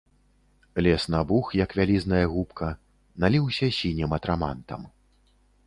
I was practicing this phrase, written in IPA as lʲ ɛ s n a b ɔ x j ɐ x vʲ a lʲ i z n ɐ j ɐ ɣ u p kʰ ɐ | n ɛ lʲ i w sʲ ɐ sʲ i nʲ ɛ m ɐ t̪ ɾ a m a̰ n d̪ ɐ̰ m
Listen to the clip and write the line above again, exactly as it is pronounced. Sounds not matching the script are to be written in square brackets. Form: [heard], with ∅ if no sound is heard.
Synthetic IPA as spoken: lʲ ɛ s n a b [u] x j ɐ [k] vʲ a lʲ i z n ɐ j ɐ ɣ u p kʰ ɐ | n [a] lʲ i w sʲ ɐ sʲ i nʲ ɛ m ɐ t̪ ɾ a m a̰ n [t̪] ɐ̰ m